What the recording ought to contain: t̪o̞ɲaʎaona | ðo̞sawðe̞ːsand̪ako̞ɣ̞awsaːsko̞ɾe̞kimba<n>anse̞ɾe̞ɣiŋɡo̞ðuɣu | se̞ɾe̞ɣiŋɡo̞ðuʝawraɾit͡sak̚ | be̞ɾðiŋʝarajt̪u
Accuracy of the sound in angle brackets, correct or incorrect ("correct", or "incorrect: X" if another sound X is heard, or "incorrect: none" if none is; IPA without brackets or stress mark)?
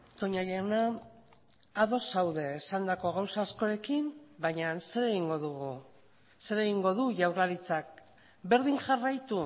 incorrect: ɲ